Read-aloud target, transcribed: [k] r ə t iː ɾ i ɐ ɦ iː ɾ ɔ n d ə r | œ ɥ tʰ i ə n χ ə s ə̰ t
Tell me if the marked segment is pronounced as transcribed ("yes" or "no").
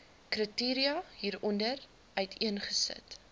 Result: yes